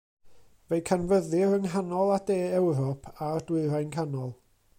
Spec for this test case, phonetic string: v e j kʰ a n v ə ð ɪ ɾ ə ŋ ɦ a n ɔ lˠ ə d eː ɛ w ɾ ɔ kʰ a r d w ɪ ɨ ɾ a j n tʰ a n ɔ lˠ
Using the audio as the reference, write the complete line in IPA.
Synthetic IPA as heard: v e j kʰ a n v ə ð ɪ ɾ ə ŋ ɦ a n ɔ lˠ a d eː ɛ w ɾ ɔ pʰ a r d w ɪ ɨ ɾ a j n kʰ a n ɔ lˠ